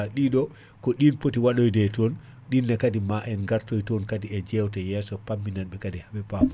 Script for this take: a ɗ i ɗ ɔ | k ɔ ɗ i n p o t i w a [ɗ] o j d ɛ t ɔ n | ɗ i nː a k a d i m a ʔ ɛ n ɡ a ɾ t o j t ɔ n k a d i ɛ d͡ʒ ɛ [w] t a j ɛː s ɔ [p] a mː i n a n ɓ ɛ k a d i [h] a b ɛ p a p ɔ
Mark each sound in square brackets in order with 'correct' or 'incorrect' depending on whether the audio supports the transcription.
correct, correct, correct, correct

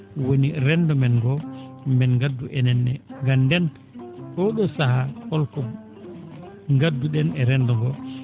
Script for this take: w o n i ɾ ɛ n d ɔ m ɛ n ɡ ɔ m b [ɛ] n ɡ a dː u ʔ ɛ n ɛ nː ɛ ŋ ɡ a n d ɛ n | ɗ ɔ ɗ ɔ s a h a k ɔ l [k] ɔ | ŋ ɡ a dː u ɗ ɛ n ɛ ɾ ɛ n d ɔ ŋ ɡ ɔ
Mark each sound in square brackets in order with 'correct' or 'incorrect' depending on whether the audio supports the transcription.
correct, correct

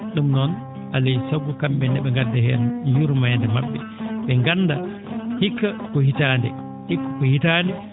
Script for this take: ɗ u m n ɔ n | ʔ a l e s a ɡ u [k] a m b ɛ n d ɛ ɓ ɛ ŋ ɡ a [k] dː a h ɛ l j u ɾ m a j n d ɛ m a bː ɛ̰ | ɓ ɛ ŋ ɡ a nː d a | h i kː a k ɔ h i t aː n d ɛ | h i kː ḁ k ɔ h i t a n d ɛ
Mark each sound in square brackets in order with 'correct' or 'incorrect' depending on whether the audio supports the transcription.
correct, incorrect

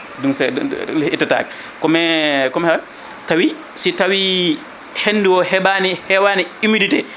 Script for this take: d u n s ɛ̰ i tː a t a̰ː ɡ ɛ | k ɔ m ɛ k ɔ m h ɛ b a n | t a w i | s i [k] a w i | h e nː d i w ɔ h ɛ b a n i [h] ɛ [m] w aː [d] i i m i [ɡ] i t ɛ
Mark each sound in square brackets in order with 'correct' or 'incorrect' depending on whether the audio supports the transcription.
incorrect, correct, incorrect, incorrect, incorrect

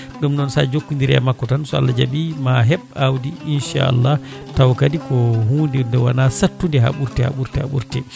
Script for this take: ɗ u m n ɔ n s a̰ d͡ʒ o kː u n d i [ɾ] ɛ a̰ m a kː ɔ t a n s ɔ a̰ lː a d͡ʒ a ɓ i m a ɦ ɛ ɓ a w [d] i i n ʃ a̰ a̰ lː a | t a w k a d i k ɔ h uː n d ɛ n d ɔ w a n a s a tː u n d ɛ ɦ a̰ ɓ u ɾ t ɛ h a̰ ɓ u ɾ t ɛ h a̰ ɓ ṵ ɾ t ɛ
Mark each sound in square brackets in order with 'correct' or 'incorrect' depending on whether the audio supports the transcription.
correct, correct

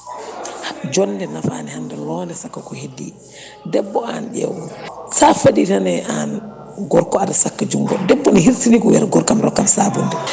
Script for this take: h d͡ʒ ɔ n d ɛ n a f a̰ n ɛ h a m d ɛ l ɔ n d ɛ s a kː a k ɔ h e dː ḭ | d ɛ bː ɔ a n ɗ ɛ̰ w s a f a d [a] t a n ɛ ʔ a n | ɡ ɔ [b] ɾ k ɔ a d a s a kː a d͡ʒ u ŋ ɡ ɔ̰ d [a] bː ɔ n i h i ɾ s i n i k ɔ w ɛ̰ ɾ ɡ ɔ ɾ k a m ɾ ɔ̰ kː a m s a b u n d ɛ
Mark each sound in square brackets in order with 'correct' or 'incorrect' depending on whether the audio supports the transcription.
incorrect, incorrect, incorrect

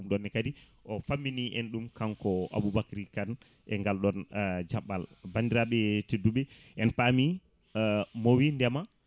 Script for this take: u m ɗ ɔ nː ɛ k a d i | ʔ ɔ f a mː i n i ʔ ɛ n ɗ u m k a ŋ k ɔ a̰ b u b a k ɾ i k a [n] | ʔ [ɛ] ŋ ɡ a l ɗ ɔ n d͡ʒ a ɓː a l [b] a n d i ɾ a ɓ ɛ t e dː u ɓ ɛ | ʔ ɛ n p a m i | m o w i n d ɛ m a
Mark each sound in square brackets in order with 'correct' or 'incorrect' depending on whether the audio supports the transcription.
correct, correct, correct

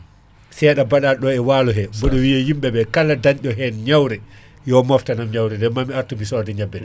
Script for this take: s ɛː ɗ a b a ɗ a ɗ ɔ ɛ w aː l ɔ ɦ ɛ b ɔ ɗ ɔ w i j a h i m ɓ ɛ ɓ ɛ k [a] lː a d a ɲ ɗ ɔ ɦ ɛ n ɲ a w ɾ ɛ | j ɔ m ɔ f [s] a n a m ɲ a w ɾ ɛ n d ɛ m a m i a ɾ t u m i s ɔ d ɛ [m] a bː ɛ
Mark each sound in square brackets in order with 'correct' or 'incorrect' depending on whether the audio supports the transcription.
correct, incorrect, incorrect

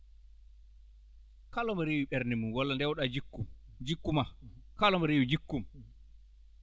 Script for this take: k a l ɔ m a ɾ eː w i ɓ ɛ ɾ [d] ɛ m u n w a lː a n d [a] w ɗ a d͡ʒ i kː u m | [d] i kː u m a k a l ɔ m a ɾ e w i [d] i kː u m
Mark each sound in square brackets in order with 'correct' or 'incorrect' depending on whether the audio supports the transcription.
incorrect, incorrect, incorrect, incorrect

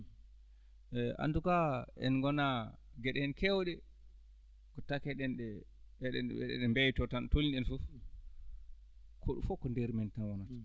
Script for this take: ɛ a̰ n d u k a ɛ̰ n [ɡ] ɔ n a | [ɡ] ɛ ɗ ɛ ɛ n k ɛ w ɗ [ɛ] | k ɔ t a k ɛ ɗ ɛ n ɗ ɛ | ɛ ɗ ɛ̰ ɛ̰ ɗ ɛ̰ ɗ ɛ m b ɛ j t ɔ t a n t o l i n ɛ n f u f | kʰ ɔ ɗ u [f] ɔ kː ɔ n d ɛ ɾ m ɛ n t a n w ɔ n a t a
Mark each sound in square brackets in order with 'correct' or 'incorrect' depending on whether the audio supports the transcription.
correct, correct, correct, correct

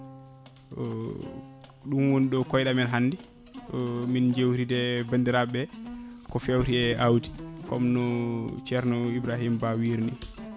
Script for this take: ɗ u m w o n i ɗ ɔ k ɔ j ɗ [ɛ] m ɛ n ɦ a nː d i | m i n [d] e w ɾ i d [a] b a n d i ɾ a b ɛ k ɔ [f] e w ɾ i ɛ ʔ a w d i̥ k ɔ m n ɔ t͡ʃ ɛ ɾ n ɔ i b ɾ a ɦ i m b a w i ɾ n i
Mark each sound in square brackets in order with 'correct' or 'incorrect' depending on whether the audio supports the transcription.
incorrect, incorrect, incorrect, correct

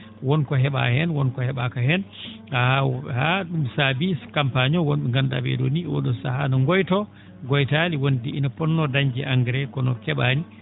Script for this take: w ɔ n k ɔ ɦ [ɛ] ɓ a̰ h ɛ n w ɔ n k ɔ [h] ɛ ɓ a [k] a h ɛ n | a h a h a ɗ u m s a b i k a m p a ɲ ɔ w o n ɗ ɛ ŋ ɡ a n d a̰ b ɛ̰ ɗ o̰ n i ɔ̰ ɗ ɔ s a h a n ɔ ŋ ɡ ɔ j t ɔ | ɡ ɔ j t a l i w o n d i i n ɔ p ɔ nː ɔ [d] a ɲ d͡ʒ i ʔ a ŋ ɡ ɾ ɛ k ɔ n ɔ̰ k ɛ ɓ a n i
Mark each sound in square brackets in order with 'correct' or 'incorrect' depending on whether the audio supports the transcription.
correct, correct, correct, correct

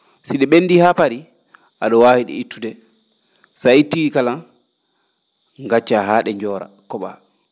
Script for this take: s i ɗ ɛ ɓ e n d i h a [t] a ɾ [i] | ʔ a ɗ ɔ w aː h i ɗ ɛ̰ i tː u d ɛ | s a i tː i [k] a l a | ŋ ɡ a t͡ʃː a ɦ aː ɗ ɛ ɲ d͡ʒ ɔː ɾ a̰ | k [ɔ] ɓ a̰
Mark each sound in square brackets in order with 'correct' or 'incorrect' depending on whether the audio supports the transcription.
incorrect, correct, correct, correct

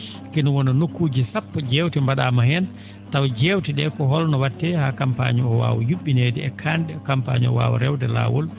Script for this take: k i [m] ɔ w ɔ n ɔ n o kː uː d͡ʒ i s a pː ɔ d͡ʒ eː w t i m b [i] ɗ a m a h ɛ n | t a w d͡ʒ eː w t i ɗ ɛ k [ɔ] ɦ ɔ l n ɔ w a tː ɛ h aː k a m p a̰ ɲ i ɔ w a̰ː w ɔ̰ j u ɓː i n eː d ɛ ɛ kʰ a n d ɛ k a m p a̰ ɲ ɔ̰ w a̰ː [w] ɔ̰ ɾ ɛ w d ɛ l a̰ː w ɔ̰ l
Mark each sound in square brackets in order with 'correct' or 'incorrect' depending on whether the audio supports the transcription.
incorrect, incorrect, correct, correct

